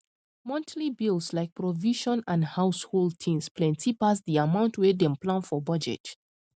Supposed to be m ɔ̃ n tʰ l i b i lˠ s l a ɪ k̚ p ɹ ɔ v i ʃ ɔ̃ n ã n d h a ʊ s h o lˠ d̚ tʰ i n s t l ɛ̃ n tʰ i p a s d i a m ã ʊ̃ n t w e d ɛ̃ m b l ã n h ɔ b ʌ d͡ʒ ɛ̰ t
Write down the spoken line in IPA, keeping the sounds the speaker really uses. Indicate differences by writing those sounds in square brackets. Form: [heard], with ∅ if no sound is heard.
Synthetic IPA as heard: m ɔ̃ n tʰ l i b i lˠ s l a ɪ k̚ p ɹ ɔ v i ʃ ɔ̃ n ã n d h a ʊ s h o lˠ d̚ tʰ [ĩ] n s [p] l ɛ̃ n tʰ i p a s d i a m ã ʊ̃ n t w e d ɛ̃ m [p] l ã n [f] ɔ b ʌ d͡ʒ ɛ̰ t